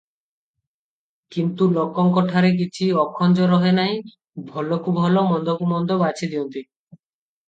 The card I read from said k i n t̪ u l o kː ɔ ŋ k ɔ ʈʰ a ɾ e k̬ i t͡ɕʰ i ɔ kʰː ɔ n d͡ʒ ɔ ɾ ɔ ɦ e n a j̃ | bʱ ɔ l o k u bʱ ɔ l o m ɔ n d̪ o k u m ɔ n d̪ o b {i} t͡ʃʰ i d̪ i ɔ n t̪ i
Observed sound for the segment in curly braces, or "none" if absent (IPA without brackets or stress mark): a